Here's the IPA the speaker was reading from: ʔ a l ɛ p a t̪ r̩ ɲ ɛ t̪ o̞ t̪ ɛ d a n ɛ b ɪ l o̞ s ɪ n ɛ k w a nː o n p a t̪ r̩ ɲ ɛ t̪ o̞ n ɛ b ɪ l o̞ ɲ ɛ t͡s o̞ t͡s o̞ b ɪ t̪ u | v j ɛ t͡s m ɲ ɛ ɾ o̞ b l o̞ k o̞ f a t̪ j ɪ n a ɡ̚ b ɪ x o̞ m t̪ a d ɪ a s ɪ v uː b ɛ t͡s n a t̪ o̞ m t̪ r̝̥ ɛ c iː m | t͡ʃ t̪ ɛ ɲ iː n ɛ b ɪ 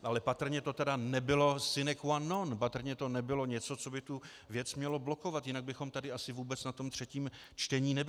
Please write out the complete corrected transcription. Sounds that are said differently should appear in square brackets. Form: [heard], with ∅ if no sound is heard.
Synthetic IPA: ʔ a l ɛ p a t̪ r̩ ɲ ɛ t̪ o̞ t̪ ɛ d a n ɛ b ɪ l o̞ s ɪ n ɛ k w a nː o n p a t̪ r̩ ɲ ɛ t̪ o̞ n ɛ b ɪ l o̞ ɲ ɛ t͡s o̞ t͡s o̞ b ɪ t̪ u | v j ɛ t͡s m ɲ ɛ [l] o̞ b l o̞ k o̞ [v] a t̪ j ɪ n a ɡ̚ b ɪ x o̞ m t̪ a d ɪ a s ɪ v uː b ɛ t͡s n a t̪ o̞ m t̪ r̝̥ ɛ c iː m | t͡ʃ t̪ ɛ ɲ iː n ɛ b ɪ